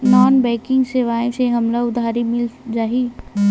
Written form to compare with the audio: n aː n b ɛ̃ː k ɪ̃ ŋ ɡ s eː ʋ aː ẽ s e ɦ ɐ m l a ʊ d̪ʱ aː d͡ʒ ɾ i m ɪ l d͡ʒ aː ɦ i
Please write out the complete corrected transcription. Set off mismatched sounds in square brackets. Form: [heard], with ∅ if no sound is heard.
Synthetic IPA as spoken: n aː n b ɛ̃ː k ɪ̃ ŋ ɡ s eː ʋ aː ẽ s e ɦ ɐ m l a ʊ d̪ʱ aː [∅] ɾ i m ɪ l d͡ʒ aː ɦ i